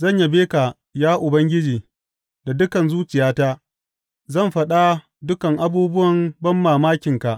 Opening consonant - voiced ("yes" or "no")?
yes